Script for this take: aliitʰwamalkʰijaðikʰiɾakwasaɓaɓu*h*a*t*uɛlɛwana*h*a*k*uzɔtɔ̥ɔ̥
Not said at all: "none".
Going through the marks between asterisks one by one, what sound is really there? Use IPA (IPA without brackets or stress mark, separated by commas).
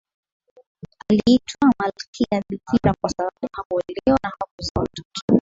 h, k, h, k